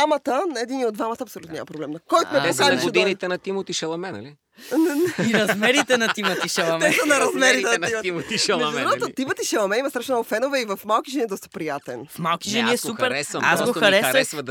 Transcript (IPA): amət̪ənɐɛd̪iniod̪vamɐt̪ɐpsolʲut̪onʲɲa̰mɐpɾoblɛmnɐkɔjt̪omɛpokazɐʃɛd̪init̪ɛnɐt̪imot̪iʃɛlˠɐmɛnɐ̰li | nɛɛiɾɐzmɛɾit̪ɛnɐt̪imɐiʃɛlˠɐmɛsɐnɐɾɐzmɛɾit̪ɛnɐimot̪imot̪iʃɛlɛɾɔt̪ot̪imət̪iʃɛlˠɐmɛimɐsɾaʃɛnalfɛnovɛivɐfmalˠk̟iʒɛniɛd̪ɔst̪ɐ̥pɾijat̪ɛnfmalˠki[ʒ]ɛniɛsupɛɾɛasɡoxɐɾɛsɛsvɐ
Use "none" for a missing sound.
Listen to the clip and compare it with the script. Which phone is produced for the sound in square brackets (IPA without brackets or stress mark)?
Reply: ʒ